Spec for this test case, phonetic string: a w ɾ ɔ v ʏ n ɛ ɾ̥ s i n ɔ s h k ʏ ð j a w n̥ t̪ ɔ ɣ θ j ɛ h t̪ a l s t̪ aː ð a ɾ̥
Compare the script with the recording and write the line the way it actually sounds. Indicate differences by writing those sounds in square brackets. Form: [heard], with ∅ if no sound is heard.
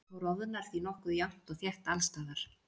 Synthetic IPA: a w ɾ ɔ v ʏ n [a] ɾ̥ [θ] i n ɔ [∅] h k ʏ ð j a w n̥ t̪ ɔ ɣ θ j ɛ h t̪ a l s t̪ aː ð a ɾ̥